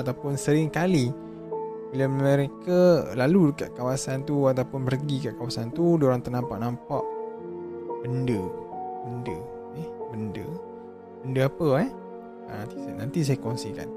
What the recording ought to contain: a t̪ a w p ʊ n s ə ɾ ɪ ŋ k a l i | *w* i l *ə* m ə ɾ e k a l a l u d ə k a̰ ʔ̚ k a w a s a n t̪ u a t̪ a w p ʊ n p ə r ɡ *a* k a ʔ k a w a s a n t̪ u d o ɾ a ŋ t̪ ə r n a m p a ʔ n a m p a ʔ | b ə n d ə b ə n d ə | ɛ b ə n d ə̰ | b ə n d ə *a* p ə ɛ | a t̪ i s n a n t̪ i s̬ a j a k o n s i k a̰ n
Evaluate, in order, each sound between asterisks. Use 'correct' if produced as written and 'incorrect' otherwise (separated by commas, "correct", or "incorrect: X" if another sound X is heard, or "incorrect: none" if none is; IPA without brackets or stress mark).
incorrect: b, incorrect: a, incorrect: i, correct